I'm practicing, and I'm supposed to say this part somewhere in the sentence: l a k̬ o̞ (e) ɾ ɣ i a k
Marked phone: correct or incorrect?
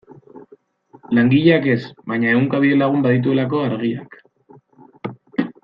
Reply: incorrect: a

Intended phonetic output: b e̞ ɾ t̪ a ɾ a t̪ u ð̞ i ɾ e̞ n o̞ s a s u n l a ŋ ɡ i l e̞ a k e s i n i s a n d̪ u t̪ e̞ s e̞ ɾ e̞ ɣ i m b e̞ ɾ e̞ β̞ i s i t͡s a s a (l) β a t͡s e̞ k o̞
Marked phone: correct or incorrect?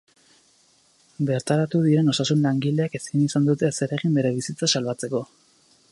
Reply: correct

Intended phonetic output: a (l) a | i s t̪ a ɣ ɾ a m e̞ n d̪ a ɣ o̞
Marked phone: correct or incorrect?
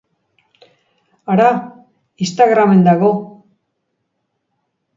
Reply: incorrect: ɾ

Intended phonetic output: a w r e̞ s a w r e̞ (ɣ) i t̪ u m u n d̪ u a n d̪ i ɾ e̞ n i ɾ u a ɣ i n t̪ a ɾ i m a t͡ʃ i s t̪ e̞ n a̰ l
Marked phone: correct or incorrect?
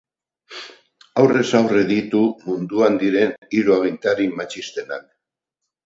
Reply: incorrect: ð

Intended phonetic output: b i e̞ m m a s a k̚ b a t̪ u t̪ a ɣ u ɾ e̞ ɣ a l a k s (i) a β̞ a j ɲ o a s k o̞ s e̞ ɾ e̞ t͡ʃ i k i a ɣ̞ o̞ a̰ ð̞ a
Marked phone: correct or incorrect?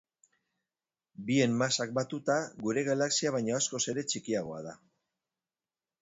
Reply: correct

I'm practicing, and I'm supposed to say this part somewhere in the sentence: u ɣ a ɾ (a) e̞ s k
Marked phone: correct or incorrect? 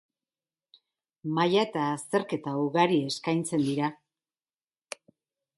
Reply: incorrect: i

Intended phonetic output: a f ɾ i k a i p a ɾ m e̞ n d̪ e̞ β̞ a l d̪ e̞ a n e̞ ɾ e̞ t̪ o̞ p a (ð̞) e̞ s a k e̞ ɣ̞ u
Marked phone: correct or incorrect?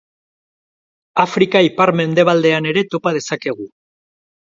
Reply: correct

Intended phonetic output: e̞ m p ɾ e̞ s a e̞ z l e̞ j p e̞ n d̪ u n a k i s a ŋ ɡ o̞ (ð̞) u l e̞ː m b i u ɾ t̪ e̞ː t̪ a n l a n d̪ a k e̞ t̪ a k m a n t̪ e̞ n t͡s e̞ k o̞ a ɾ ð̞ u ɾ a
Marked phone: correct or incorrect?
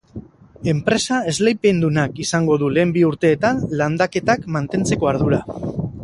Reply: correct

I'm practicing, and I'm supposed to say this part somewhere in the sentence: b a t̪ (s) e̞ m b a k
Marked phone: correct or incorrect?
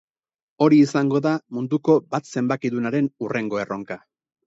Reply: correct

